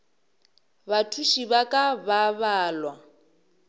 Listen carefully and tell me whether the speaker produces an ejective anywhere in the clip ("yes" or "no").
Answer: yes